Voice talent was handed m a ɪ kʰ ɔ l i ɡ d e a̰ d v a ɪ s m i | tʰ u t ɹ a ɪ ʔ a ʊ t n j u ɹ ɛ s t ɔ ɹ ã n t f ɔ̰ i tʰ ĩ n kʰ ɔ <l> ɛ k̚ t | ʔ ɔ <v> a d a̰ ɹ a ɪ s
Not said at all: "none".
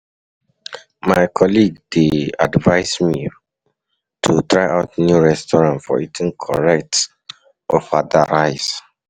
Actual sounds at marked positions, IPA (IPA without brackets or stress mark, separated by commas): ɹ, f